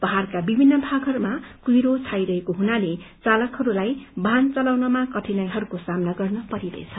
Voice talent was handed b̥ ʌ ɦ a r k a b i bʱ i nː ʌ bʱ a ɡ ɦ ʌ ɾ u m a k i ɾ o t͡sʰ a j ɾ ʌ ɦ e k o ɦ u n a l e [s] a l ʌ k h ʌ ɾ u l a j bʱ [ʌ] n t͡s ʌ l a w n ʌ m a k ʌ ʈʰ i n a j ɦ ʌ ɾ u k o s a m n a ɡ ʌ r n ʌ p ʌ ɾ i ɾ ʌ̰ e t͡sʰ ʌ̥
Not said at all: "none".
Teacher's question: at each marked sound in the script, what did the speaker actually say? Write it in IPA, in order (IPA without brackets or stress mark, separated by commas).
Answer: t͡s, a